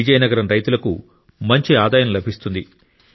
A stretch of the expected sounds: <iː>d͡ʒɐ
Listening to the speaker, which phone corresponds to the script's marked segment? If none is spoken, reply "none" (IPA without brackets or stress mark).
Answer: i